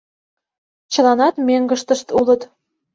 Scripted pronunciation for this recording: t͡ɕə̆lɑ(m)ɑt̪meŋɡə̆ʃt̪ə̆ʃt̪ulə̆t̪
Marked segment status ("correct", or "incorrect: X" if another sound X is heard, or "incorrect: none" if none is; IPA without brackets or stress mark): incorrect: n